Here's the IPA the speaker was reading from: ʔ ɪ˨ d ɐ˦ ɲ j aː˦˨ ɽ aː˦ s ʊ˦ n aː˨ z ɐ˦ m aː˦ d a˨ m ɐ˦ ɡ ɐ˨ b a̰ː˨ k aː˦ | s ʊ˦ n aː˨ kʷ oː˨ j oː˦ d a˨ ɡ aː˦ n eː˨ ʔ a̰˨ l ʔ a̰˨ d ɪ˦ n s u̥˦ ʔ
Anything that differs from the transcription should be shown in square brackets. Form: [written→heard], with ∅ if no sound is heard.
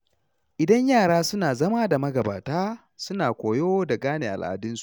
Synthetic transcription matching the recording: ʔ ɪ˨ d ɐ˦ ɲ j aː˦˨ ɽ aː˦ s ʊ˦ n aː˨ z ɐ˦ m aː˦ d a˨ m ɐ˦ ɡ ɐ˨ b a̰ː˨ [k→t] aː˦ | s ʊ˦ n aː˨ kʷ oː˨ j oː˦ d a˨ ɡ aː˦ n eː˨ ʔ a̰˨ l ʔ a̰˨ d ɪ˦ n s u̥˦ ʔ